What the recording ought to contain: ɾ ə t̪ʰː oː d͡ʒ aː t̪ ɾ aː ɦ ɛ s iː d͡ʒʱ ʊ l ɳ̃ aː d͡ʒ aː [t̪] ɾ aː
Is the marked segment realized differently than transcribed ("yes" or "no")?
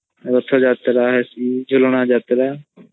no